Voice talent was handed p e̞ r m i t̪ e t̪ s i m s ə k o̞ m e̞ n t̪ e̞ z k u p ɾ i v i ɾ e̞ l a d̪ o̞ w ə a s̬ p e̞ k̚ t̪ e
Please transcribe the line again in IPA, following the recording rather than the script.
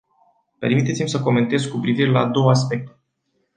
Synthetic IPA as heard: p e̞ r m i t̪ e t̪ s i m s ə k o̞ m e̞ n t̪ e̞ z k u p ɾ i v i ɾ e̞ l a d̪ o̞ w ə a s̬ p e̞ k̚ t̪ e